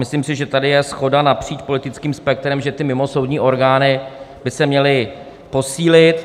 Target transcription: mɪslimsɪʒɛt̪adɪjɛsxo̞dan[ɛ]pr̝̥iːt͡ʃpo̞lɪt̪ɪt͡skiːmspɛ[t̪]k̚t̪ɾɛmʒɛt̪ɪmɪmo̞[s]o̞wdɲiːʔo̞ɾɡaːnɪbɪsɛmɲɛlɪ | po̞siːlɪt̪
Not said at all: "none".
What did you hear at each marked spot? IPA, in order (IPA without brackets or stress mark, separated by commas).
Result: a, none, s